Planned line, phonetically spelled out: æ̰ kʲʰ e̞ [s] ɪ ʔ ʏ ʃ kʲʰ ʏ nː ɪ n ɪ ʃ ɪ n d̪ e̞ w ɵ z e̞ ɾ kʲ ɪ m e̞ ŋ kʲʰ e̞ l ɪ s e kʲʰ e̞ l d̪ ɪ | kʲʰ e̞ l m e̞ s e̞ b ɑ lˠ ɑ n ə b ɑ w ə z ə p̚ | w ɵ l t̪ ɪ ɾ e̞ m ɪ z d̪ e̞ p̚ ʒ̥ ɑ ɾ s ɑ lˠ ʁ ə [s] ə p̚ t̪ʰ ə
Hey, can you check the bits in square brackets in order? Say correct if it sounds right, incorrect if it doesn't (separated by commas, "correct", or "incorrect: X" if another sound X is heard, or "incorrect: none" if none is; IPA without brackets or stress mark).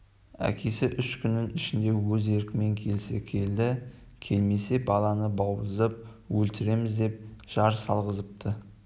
correct, incorrect: z